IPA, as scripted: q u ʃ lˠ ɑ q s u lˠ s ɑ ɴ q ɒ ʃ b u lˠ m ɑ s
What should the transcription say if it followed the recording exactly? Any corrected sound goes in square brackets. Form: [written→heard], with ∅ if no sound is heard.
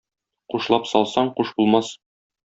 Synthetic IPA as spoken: q u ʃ lˠ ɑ [q→p] s [u→ɒ] lˠ s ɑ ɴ q [ɒ→u] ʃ b u lˠ m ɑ s